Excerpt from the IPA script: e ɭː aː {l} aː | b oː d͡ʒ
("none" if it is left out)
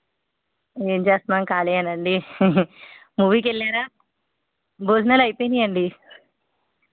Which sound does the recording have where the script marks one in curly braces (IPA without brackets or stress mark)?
ɾ